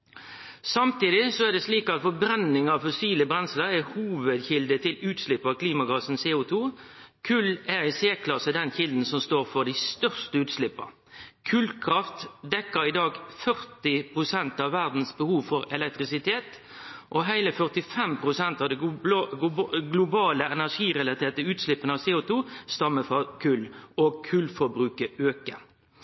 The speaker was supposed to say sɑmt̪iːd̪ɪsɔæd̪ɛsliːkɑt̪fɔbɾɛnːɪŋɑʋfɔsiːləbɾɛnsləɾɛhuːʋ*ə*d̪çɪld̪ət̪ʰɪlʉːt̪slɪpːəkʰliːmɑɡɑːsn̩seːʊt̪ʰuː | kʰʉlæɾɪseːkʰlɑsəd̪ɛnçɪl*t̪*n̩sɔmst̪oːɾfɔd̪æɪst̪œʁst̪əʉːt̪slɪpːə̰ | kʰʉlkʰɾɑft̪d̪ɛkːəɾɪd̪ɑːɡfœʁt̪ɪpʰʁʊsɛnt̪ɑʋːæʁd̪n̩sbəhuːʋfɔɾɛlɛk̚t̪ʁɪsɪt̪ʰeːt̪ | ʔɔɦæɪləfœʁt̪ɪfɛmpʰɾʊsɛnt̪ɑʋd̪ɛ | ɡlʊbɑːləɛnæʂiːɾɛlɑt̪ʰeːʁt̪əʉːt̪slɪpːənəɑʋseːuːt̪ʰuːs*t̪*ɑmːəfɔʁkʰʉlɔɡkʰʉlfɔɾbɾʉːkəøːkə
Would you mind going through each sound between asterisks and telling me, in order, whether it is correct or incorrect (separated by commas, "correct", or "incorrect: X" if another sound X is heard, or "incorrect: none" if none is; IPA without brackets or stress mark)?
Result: correct, incorrect: d̪, correct